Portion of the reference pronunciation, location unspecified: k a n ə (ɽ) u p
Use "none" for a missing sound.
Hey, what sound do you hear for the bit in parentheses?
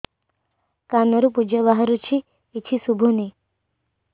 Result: ɾ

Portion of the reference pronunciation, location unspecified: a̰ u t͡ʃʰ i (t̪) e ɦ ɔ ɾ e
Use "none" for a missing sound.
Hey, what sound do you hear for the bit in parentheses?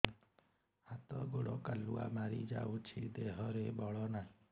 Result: d̪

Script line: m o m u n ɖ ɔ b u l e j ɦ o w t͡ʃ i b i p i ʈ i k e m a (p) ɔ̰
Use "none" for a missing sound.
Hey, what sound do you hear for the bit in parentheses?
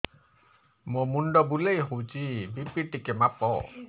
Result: p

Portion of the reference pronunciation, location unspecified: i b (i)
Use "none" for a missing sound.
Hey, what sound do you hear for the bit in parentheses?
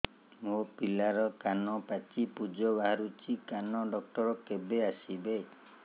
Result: e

